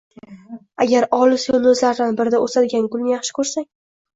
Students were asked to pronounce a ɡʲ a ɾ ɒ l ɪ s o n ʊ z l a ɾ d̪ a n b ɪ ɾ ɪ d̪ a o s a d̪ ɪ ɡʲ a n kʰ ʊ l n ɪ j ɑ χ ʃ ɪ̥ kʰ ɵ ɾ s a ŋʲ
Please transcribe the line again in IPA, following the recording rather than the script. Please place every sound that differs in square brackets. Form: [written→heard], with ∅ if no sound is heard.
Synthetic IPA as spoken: a ɡʲ a ɾ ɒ l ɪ s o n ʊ z l a ɾ d̪ a n b ɪ ɾ ɪ d̪ a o s a d̪ ɪ ɡʲ a n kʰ ʊ l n ɪ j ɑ χ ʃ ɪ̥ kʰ ɵ ɾ s a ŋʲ